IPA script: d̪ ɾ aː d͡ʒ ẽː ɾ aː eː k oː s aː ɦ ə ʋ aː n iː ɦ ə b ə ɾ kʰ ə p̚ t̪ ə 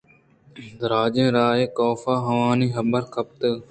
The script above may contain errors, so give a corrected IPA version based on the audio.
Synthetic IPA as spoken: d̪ ɾ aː d͡ʒ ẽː ɾ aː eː k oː f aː ɦ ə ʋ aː n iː ɦ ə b ə ɾ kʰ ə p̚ t̪ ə